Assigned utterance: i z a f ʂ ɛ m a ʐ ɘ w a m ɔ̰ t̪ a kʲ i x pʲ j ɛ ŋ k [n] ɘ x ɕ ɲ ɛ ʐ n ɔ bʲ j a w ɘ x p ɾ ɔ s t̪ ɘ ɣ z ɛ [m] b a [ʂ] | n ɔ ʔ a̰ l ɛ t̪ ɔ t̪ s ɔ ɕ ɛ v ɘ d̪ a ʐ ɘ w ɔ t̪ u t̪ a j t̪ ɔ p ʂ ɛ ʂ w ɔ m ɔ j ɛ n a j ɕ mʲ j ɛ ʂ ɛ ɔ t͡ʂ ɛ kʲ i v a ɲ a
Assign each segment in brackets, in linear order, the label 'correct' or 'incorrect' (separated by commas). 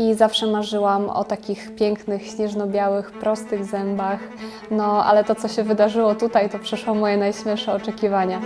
correct, correct, incorrect